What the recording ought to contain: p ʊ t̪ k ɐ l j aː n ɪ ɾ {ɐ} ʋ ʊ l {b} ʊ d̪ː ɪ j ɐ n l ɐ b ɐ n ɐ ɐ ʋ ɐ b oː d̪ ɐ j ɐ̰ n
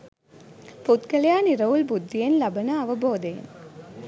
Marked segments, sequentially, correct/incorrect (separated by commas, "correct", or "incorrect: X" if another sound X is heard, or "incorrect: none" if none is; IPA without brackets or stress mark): correct, correct